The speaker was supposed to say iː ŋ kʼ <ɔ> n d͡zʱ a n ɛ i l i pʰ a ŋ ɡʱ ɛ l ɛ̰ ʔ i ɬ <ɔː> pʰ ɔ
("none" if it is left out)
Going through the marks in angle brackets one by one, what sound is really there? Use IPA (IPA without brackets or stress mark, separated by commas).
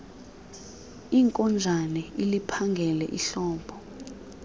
ɔ, ɔː